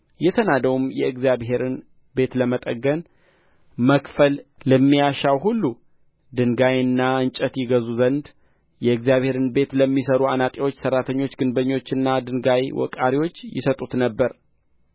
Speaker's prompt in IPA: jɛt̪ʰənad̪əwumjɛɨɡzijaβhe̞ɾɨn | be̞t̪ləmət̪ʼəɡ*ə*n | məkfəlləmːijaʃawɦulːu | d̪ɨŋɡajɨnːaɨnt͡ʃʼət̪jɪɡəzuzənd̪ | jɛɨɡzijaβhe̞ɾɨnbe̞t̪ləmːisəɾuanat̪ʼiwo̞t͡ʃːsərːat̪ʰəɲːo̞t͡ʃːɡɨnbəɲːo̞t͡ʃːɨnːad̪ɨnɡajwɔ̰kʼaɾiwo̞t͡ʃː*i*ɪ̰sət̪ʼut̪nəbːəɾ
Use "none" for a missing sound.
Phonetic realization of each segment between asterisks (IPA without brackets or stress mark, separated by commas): ə, j